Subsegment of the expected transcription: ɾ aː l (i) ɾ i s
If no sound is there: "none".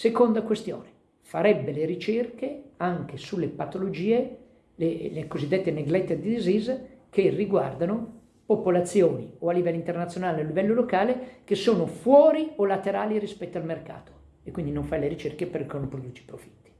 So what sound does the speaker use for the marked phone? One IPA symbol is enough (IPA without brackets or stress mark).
i